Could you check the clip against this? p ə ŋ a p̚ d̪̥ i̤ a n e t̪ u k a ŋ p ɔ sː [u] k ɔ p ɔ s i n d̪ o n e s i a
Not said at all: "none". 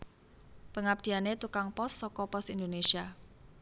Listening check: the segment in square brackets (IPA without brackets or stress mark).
ɔ